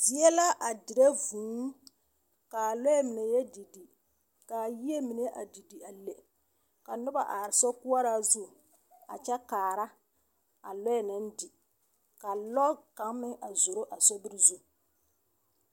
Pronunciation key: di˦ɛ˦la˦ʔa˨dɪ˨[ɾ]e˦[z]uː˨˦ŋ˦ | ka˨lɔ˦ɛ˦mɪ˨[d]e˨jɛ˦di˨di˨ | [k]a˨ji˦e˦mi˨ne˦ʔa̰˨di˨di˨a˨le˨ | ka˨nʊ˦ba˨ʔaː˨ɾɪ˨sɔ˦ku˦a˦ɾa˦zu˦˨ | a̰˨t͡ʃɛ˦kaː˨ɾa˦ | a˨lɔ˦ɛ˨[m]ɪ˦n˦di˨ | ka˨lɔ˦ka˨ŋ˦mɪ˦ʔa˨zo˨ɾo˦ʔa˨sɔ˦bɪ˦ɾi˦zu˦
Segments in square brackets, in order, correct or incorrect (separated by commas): correct, incorrect, incorrect, correct, incorrect